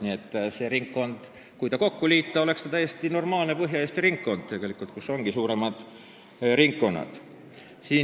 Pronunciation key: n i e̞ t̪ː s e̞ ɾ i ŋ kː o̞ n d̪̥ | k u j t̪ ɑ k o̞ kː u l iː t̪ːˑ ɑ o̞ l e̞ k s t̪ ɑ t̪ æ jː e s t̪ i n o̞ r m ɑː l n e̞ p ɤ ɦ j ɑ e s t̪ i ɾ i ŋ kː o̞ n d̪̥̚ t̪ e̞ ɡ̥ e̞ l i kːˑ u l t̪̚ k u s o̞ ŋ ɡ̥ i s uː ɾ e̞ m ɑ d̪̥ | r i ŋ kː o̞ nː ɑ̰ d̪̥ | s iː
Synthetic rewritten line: n i e̞ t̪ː s e̞ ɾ i ŋ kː o̞ n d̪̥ | k u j t̪ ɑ k o̞ kː u l iː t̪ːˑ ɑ o̞ l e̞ k s t̪ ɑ t̪ æ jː e s t̪ i n o̞ r m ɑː l n e̞ p ɤ ɦ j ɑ e s t̪ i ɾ i ŋ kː o̞ n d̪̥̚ t̪ e̞ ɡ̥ e̞ l i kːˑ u l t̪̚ k u s o̞ ŋ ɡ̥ i s uː ɾ e̞ m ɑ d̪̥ | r i ŋ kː o̞ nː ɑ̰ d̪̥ | s iː

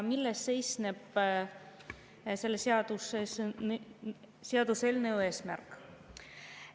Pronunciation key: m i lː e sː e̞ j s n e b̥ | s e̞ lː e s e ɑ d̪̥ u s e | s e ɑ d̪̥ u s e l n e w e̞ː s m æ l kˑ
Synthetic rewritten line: m i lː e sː e̞ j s n e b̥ | s e̞ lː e s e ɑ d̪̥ u s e | s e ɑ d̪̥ u s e l n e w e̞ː s m æ r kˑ

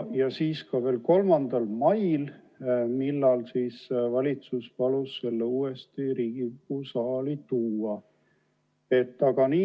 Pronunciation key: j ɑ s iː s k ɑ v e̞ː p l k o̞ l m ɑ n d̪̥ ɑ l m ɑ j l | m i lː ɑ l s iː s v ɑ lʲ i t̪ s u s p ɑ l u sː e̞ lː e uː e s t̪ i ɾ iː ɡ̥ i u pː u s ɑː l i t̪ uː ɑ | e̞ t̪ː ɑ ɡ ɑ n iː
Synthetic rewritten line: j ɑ s iː s k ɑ v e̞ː l k o̞ l m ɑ n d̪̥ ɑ l m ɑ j l | m i lː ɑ l s iː s v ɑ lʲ i t̪ s u s p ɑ l u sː e̞ lː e uː e s t̪ i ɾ iː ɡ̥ i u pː u s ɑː l i t̪ uː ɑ | e̞ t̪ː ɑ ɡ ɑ n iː

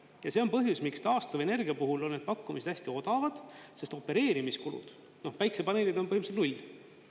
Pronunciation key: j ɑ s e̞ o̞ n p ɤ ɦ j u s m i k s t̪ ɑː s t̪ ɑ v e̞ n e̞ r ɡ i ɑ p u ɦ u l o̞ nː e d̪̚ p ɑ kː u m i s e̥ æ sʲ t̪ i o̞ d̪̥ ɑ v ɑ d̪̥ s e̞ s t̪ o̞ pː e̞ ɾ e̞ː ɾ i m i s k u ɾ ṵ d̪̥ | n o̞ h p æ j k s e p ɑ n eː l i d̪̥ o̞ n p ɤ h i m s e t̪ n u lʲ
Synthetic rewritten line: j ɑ s e̞ o̞ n p ɤ ɦ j u s m i k s t̪ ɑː s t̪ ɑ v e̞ n e̞ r ɡ i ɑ p u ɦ u l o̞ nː e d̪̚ p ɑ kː u m i s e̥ æ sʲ t̪ i o̞ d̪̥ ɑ v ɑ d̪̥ s e̞ s t̪ o̞ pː e̞ ɾ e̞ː ɾ i m i s k u l ṵ d̪̥ | n o̞ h p æ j k s e p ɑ n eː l i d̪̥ o̞ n p ɤ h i m s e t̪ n u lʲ

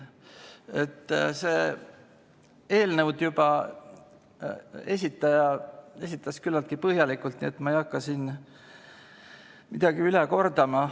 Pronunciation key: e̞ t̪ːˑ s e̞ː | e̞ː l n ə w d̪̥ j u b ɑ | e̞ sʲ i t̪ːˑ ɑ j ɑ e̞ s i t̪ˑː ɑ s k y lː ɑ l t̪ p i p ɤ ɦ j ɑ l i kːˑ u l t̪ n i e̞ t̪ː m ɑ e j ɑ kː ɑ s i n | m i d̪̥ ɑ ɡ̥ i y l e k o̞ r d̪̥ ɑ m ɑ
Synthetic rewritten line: e̞ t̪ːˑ s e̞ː | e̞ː l n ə w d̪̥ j u b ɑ | e̞ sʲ i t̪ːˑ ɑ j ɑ e̞ s i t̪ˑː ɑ s k y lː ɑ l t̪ k i p ɤ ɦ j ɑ l i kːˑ u l t̪ n i e̞ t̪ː m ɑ e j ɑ kː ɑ s i n | m i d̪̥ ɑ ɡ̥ i y l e k o̞ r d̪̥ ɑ m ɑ

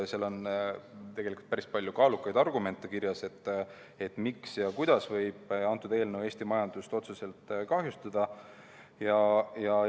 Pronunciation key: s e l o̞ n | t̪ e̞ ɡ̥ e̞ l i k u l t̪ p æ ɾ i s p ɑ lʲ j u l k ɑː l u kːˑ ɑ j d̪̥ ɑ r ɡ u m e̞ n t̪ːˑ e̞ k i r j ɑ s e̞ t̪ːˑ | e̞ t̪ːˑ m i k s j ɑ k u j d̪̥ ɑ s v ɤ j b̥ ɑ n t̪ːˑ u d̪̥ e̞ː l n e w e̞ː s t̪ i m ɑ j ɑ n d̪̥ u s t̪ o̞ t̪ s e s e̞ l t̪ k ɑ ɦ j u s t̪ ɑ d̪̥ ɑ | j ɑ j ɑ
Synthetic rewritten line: s e l o̞ n | t̪ e̞ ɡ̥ e̞ l i k u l t̪ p æ ɾ i s p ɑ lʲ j u k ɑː l u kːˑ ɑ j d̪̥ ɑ r ɡ u m e̞ n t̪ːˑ e̞ k i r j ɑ s e̞ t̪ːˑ | e̞ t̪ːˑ m i k s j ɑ k u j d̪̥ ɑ s v ɤ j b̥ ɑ n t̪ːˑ u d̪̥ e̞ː l n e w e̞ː s t̪ i m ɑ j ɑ n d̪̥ u s t̪ o̞ t̪ s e s e̞ l t̪ k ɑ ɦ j u s t̪ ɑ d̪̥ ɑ | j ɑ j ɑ

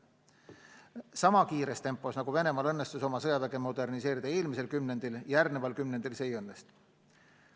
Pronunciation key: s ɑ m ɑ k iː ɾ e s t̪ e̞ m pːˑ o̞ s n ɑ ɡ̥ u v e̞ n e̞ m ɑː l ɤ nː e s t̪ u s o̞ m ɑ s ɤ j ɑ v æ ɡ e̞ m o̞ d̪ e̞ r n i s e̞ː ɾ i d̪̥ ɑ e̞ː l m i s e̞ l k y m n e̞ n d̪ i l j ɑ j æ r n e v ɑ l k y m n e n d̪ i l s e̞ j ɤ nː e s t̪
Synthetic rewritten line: s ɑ m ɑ k iː ɾ e s t̪ e̞ m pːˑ o̞ s n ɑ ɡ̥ u v e̞ n e̞ m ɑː l ɤ nː e s t̪ u s o̞ m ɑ s ɤ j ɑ v æ ɡ e̞ m o̞ d̪ e̞ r n i s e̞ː ɾ i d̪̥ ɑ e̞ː l m i s e̞ l k y m n e̞ n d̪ i l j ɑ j æ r n e v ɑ l k y m n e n d̪ i l s e̞ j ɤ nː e s t̪

